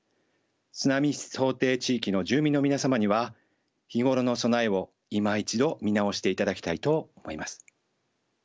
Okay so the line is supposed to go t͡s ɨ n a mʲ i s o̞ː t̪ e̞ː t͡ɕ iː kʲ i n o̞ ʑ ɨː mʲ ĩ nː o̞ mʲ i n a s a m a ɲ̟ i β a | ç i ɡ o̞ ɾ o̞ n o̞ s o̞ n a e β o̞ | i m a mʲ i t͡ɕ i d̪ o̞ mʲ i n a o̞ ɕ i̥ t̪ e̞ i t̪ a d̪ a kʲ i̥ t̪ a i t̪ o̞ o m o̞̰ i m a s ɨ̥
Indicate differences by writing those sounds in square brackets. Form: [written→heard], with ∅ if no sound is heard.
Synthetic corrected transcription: t͡s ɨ n a mʲ i s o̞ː t̪ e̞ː t͡ɕ iː kʲ i n o̞ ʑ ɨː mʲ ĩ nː o̞ mʲ i n a s a m a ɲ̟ i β a | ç i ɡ o̞ ɾ o̞ n o̞ s o̞ n a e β o̞ | i m a [mʲ→∅] i t͡ɕ i d̪ o̞ mʲ i n a o̞ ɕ i̥ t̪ e̞ i t̪ a d̪ a kʲ i̥ t̪ a i t̪ o̞ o m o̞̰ i m a s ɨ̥